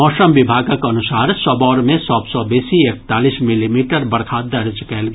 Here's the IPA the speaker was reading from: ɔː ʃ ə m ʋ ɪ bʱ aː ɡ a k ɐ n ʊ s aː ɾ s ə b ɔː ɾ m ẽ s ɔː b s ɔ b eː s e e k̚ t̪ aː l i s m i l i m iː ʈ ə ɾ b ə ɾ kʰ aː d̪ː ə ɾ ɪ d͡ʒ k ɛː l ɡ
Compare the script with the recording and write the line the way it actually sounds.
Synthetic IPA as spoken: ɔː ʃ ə m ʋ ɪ bʱ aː ɡ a k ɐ n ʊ s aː ɾ s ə b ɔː ɾ m ẽ s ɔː b s ɔ b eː s i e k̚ t̪ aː l i s m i l i m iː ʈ ə ɾ b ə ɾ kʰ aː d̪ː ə ɾ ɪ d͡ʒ k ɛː l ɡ

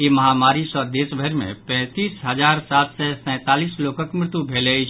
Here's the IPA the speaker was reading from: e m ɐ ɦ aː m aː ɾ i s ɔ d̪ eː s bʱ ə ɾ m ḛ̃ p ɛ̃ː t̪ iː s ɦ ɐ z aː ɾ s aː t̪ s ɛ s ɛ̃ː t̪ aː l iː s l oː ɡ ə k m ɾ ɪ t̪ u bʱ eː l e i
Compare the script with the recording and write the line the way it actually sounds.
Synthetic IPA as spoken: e m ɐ ɦ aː m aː ɾ i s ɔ d̪ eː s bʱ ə ɾ m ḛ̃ p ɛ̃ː t̪ iː s ɦ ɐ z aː ɾ s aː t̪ s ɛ s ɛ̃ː t̪ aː l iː s l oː k ə k m ɾ ɪ t̪ u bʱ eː l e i

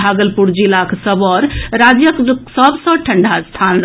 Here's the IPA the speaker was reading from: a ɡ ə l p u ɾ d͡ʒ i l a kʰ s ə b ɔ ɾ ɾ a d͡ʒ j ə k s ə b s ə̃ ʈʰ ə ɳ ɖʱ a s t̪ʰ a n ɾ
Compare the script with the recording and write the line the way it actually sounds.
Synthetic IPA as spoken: a ɡ ə l p u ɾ d͡ʒ i l a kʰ s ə b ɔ ɾ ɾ a d͡ʒ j ə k s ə b s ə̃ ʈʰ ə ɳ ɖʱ a s t̪ʰ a n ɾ

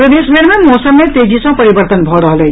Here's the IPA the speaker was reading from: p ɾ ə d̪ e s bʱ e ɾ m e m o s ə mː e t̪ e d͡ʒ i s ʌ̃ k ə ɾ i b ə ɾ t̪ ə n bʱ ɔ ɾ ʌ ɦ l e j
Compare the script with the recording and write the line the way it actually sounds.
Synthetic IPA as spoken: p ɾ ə d̪ e s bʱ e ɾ m e m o s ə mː e t̪ e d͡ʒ i s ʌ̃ p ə ɾ i b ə ɾ t̪ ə n bʱ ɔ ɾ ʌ ɦ l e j

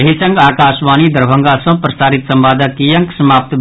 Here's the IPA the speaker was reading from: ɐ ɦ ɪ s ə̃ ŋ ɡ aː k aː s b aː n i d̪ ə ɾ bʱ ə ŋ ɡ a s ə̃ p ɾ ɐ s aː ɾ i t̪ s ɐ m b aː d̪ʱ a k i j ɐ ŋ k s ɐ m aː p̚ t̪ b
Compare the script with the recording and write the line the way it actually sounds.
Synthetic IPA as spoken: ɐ ɦ i s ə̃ ŋ ɡ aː k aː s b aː n i d̪ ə ɾ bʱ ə ŋ ɡ a s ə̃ p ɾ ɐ s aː ɾ i t̪ s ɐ m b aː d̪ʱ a k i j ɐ ŋ k s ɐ m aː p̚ t̪ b

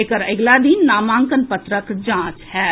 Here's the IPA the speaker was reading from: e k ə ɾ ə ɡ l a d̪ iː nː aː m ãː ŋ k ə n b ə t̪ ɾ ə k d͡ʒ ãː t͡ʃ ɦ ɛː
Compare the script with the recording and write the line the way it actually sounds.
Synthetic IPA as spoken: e k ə ɾ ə ɡ l a d̪ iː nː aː m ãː ŋ k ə n p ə t̪ ɾ ə k d͡ʒ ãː t͡ʃ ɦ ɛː

